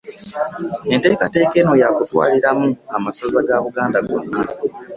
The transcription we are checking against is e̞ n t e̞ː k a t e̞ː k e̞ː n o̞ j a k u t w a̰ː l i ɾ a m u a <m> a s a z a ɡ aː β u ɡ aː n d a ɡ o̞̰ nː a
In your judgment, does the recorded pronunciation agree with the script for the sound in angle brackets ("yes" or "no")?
yes